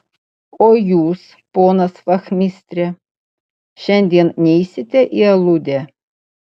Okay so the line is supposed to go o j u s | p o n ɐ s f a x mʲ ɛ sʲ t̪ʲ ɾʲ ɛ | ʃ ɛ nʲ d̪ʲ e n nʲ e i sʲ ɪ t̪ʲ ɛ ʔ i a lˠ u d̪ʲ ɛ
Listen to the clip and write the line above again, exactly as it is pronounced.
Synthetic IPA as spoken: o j u s | p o n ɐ s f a x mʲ i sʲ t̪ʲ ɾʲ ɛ | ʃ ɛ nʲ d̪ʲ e n nʲ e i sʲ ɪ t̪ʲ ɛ ʔ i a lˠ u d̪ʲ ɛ